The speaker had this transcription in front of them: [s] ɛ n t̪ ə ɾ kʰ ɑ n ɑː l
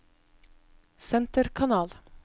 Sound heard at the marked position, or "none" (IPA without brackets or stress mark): s